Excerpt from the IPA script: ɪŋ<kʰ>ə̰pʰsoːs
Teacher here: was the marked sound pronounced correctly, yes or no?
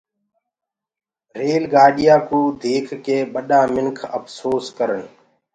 yes